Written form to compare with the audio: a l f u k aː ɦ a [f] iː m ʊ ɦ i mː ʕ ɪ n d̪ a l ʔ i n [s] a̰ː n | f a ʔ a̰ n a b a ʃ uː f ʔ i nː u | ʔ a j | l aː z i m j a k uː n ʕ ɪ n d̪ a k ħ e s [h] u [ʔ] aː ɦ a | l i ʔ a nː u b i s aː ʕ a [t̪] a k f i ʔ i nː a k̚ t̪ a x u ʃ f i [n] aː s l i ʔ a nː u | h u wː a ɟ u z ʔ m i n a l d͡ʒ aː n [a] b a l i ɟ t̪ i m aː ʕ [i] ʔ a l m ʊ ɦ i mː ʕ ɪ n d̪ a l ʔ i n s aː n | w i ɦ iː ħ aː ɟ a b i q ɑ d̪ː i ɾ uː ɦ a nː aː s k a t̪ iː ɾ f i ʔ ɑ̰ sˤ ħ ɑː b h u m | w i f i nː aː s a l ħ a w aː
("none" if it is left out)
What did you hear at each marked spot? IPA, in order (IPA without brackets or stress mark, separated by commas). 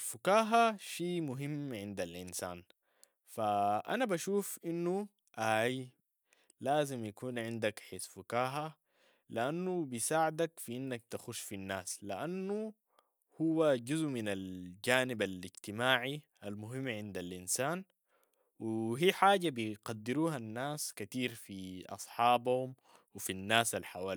ʃ, s, f, k, d̪, nː, i, i